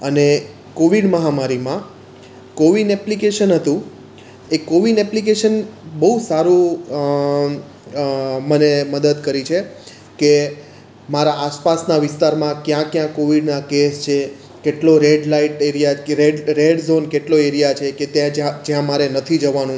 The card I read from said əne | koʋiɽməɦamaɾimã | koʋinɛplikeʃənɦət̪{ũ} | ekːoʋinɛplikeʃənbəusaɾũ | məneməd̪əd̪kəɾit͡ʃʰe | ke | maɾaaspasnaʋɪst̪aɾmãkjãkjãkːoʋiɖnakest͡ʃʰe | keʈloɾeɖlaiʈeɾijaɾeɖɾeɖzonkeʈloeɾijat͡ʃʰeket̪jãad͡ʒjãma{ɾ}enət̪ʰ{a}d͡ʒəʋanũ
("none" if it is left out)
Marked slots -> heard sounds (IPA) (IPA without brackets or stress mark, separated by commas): ũ, ɾ, i